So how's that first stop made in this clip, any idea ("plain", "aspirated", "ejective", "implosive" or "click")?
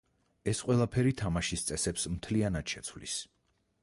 ejective